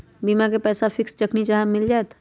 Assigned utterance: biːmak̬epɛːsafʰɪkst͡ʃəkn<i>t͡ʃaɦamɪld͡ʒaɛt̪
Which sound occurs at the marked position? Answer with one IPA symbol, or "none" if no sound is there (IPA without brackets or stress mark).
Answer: i